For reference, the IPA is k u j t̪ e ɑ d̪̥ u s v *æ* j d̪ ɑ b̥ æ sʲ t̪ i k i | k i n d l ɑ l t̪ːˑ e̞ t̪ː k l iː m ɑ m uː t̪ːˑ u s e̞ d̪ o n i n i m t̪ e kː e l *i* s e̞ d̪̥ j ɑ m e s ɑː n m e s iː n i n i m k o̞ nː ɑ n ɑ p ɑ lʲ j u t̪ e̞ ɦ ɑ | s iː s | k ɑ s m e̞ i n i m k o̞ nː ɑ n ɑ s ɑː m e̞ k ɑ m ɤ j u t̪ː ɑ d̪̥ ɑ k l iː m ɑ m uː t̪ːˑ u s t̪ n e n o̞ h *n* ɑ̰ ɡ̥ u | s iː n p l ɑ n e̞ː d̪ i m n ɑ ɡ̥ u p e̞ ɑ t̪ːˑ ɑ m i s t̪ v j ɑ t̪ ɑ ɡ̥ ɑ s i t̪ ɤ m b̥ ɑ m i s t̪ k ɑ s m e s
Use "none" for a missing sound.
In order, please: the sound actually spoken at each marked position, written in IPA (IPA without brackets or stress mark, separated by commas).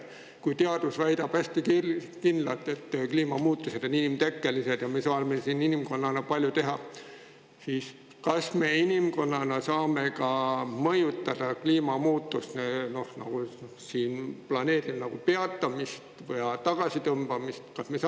æ, i, n